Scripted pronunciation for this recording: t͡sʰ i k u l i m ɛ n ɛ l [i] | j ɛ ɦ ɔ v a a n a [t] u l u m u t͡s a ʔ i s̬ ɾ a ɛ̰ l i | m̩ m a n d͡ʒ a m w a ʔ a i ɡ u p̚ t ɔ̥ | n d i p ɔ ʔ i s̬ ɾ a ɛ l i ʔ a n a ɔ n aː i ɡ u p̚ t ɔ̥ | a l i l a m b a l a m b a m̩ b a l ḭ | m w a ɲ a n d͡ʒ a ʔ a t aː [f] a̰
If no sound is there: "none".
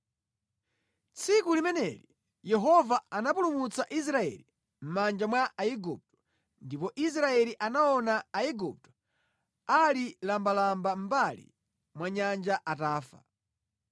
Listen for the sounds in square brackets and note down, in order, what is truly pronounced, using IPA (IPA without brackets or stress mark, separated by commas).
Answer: i, p, f